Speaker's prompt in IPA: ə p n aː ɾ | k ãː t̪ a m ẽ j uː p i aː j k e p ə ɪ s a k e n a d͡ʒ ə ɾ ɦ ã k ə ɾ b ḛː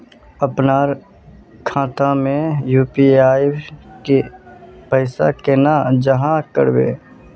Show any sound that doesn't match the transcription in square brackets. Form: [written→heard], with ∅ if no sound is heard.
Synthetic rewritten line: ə p n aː ɾ | [k→kʰ] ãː t̪ a m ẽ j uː p i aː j k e p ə ɪ s a k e n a d͡ʒ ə [ɾ→∅] ɦ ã k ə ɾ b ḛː